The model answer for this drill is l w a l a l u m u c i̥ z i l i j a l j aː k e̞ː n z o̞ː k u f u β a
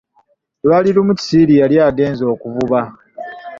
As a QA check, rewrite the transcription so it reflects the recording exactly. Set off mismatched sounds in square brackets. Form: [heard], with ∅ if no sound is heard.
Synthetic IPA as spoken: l w a l [i] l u m u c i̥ [s] i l i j a l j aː [ɡ] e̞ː n z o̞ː k u [v] u β a